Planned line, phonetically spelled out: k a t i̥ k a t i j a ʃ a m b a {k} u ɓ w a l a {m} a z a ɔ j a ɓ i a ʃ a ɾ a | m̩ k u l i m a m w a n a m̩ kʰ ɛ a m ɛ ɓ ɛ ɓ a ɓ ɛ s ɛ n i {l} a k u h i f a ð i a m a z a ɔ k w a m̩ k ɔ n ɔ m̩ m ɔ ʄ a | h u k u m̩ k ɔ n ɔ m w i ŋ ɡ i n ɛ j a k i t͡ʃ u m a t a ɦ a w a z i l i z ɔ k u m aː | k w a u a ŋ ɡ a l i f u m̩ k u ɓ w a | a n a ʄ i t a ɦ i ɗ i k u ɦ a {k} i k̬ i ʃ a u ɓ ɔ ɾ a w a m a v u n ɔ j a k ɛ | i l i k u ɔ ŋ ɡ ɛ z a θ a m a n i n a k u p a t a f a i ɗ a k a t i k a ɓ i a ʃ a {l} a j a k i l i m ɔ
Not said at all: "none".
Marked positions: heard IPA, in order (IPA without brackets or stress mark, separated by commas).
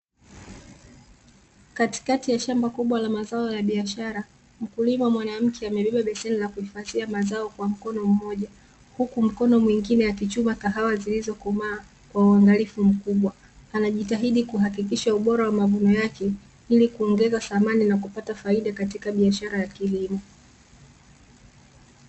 k, m, l, k, ɾ